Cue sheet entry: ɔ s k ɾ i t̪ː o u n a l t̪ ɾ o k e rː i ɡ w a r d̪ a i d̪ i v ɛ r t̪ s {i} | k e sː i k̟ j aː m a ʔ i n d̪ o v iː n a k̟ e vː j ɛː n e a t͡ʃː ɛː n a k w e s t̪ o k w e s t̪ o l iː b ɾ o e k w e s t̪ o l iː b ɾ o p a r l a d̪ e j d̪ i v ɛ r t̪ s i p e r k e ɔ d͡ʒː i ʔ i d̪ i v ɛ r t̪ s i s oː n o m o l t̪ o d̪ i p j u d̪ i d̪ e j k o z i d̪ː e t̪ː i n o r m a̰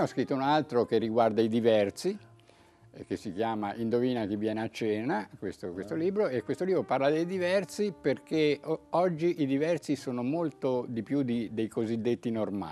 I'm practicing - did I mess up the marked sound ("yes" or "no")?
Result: no